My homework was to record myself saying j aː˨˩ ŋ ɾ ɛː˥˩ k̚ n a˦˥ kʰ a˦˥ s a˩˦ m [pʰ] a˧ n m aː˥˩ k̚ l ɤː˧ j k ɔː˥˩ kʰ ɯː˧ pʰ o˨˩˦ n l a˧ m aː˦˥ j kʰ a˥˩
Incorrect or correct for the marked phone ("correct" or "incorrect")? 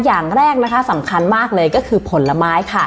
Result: incorrect